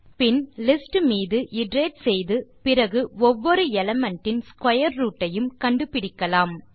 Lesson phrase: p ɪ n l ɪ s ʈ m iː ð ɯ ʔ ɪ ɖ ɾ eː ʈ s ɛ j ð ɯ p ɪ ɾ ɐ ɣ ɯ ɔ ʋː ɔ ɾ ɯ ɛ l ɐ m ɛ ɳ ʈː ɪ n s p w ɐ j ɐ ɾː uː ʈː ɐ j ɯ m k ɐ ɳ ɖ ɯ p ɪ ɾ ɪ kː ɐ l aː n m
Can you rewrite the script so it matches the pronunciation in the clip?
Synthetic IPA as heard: p ɪ n l ɪ s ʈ m iː ð ɯ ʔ ɪ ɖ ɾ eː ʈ s ɛ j ð ɯ p ɪ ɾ ɐ ɣ ɯ ɔ ʋː ɔ ɾ ɯ ɛ l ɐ m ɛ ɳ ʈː ɪ n s k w ɐ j ɐ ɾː uː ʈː ɐ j ɯ m k ɐ ɳ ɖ ɯ p ɪ ɽ ɪ kː ɐ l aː m

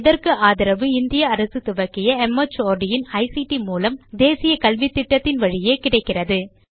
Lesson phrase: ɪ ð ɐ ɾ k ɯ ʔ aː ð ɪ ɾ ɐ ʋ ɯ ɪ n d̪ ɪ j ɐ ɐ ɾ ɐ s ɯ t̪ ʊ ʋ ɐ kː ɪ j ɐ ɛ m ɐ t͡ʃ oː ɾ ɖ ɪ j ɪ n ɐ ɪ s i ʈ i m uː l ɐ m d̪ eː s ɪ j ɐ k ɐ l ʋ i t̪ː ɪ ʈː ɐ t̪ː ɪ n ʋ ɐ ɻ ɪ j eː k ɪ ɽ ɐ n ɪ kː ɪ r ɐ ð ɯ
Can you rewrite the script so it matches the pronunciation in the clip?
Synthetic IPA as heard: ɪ ð ɐ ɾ k ɯ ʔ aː ð ɪ ɾ ɐ ʋ ɯ ɪ n d̪ ɪ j ɐ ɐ ɾ ɐ s ɯ t̪ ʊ ʋ ɐ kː ɪ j ɐ ɛ m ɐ t͡ʃ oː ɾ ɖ ɪ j ɪ n ɐ ɪ s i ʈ i m uː l ɐ m d̪ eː s ɪ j ɐ k ɐ l ʋ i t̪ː ɪ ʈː ɐ t̪ː ɪ n ʋ ɐ ɻ ɪ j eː k ɪ ɽ ɐ ɪ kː ɪ r ɐ ð ɯ

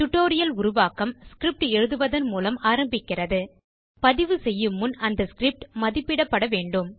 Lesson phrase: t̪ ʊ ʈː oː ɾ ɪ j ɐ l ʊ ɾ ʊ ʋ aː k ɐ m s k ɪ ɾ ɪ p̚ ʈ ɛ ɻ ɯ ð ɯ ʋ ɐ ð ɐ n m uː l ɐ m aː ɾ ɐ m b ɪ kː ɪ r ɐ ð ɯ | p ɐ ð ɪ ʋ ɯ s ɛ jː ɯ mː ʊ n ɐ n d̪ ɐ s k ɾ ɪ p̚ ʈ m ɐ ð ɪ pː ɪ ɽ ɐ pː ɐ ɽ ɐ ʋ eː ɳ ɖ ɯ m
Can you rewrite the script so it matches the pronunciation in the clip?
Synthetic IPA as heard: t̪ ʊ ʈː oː ɾ ɪ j ɐ l ʊ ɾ ʊ ʋ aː k ɐ m s k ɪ ɾ ɪ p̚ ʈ ɛ ɻ ɯ ð ɯ ʋ ɐ ð ɐ n m uː l ɐ m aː ɾ ɐ m b ɪ kː ɪ r ɐ ð ɯ | p ɐ ð ɪ ʋ ɯ s ɛ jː ɯ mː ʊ n ɐ n d̪ ɐ s k ɾ ɪ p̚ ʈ m ɐ ð ɪ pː ɪ ɽ ɐ pː ɐ ɽ ɐ ʋ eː ɳ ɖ ɯ m

